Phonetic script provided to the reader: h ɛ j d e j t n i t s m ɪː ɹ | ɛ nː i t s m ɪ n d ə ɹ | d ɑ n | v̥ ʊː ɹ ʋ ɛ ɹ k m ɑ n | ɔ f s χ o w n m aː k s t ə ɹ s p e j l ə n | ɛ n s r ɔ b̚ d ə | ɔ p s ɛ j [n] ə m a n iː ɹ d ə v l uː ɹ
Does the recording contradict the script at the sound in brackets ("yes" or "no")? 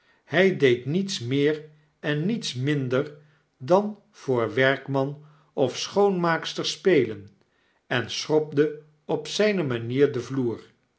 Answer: no